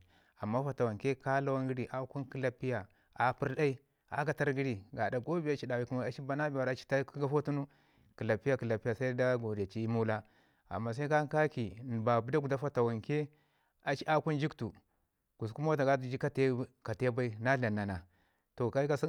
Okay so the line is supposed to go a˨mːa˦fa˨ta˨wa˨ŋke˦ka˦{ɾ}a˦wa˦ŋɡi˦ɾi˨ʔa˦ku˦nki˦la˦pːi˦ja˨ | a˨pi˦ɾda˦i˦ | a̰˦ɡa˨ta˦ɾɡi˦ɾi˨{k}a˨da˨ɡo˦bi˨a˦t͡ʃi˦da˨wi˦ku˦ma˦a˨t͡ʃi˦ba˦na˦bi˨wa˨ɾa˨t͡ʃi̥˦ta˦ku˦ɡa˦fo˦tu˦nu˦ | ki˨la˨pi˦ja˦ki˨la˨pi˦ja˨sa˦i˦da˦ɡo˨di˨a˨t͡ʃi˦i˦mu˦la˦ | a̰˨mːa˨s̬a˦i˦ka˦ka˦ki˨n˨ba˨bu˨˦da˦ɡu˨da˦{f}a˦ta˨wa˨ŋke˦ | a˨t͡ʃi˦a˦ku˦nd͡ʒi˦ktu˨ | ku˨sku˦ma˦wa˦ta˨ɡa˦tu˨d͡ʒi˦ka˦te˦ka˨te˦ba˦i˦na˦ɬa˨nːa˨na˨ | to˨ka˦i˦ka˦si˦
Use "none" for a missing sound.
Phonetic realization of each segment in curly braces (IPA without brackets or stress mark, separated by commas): l, ɡ, f